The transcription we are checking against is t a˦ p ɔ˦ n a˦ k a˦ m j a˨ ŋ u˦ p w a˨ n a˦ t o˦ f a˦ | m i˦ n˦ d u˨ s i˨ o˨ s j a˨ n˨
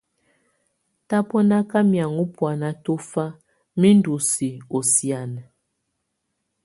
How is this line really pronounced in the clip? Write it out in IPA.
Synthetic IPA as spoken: t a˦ p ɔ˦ n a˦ k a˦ m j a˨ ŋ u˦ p w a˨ n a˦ t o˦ f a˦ | m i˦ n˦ d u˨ s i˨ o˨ s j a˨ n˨